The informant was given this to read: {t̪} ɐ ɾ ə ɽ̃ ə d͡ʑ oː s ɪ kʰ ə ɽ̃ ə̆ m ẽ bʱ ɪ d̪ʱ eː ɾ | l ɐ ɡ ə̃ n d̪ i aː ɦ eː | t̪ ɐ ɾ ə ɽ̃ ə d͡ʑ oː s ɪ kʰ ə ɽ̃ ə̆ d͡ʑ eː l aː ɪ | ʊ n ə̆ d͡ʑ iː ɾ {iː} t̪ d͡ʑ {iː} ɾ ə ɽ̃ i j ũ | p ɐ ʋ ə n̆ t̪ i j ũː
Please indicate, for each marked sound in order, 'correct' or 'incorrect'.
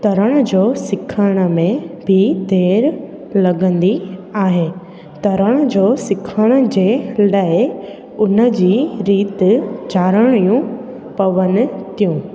correct, correct, incorrect: aː

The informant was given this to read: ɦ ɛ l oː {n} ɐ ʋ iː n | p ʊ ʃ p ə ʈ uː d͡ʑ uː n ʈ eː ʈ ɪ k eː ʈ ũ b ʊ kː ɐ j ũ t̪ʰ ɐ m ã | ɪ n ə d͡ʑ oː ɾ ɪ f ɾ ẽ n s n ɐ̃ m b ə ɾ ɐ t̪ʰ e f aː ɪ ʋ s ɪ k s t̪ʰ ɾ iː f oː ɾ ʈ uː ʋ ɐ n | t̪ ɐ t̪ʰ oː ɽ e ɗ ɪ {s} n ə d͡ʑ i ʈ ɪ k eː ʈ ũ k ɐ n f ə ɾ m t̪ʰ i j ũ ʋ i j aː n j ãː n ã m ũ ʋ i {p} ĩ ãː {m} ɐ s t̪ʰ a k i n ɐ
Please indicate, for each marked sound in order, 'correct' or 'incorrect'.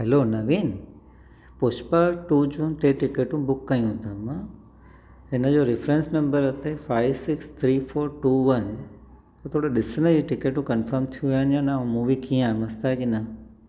correct, correct, incorrect: k, correct

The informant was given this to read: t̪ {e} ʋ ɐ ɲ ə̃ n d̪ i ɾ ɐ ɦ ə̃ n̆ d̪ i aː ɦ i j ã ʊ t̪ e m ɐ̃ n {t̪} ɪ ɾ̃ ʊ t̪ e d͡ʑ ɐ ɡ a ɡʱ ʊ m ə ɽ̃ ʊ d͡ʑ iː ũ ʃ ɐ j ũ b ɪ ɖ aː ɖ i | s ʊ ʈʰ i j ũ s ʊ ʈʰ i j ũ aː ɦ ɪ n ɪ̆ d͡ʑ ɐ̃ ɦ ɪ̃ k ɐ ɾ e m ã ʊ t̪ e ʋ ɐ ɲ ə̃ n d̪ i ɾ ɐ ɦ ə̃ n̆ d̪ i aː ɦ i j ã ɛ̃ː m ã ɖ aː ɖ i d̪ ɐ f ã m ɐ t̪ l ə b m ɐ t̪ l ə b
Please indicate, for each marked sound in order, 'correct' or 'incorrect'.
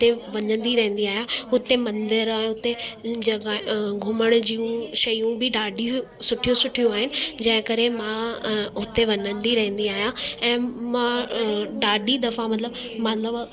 correct, incorrect: d̪

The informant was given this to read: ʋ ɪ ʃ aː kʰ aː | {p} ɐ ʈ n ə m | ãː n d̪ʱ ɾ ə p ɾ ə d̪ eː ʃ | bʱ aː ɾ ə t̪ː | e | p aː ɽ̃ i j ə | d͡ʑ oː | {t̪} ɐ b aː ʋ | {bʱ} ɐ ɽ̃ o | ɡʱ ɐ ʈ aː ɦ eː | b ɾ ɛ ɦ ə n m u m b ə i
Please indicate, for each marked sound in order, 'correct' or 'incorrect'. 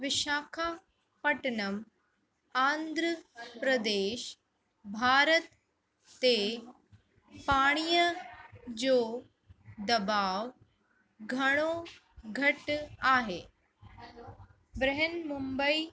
correct, incorrect: d̪, incorrect: ɡʱ

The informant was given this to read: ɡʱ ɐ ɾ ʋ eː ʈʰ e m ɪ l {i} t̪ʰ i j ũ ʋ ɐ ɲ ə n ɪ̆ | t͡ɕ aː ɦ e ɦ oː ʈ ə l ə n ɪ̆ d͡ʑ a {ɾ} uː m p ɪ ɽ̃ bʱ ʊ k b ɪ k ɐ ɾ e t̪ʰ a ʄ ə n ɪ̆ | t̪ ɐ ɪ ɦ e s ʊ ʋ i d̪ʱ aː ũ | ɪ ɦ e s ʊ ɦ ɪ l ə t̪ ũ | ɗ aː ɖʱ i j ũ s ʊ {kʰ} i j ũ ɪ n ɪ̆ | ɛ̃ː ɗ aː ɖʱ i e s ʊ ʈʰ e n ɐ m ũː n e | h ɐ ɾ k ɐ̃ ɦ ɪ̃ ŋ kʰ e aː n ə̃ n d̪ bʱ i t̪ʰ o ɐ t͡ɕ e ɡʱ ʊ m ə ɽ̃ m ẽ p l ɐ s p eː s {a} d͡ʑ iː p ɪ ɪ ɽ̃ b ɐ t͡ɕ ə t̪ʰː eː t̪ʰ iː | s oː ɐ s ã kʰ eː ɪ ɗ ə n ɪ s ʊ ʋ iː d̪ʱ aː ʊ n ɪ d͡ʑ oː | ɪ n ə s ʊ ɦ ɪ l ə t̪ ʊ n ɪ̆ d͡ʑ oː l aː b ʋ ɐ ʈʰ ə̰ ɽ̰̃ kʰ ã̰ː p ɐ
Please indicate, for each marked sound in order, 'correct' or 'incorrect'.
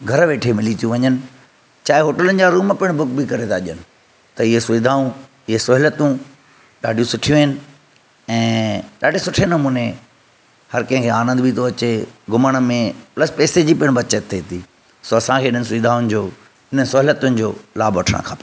correct, correct, incorrect: ʈʰ, incorrect: e

